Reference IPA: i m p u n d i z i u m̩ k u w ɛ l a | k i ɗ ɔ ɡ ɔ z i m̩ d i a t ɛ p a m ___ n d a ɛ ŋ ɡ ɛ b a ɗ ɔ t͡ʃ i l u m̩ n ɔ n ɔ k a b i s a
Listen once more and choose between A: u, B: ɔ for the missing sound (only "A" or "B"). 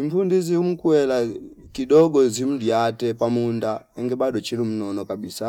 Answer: A